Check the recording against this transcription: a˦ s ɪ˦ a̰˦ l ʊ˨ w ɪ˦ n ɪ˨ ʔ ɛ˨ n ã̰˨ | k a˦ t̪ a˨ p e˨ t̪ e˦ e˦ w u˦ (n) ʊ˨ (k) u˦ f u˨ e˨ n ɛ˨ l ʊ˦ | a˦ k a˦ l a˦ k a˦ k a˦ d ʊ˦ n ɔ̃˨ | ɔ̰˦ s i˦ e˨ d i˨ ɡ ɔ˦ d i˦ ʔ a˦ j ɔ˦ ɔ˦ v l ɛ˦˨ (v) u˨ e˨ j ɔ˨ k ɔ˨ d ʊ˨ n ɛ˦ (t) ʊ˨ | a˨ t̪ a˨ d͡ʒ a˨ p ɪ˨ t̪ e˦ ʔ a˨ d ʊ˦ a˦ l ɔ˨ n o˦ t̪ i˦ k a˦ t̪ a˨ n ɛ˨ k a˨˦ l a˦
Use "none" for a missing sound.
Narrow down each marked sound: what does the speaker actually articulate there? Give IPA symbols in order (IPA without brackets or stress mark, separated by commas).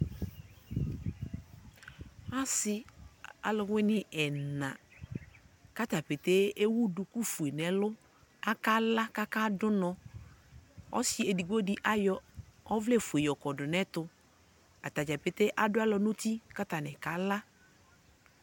d, k, f, t